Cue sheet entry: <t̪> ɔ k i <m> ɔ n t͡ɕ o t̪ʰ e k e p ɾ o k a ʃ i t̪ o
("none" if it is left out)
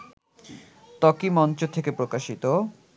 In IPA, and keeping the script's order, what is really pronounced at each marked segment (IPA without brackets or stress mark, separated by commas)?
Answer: t̪, m